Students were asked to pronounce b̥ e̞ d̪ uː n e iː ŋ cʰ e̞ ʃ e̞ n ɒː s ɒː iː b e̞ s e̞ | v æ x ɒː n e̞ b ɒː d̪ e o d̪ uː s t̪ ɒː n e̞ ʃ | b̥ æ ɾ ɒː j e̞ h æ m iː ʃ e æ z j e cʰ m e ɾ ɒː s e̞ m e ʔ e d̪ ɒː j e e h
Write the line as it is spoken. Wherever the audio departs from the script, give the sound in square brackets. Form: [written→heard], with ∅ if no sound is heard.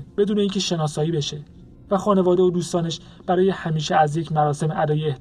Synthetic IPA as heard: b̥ e̞ d̪ uː n e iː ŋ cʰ e̞ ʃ e̞ n ɒː s ɒː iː b e̞ [s→ʃ] e̞ | v æ x ɒː n e̞ [b→v] ɒː d̪ e o d̪ uː s t̪ ɒː n e̞ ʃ | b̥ æ ɾ ɒː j e̞ h æ m iː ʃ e æ z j e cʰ m [e→æ] ɾ ɒː s e̞ m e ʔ [e→æ] d̪ ɒː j e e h